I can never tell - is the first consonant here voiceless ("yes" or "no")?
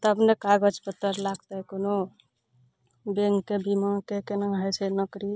yes